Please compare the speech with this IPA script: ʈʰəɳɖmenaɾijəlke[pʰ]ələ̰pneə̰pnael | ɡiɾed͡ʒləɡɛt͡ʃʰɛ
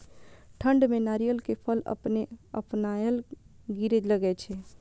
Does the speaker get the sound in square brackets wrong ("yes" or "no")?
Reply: no